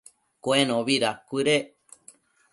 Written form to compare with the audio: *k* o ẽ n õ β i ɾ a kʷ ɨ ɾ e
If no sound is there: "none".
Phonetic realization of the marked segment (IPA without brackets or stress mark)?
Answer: k